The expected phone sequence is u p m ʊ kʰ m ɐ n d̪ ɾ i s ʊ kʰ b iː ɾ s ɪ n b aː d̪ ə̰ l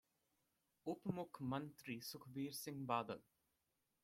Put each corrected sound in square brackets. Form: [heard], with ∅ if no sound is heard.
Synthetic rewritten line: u p m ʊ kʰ m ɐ n [t̪] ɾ i s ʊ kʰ b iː ɾ s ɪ [ŋ] b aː d̪ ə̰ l